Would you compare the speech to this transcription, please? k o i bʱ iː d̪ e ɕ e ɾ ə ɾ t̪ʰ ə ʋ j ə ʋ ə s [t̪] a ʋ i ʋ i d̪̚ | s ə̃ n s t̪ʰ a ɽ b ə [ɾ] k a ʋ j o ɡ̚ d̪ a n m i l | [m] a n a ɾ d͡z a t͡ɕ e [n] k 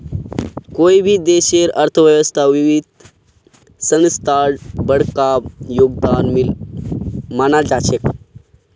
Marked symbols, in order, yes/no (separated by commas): no, no, yes, no